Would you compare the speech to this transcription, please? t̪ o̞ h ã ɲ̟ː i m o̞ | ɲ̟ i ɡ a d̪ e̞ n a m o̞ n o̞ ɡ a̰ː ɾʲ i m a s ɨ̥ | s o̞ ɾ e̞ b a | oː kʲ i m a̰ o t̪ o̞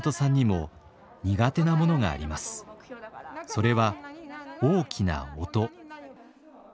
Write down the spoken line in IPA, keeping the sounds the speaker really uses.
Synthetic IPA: t̪ o̞ s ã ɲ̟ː i m o̞ | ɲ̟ i ɡ a t̪ e̞ n a m o̞ n o̞ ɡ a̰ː ɾʲ i m a s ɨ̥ | s o̞ ɾ e̞ β a | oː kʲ i n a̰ o t̪ o̞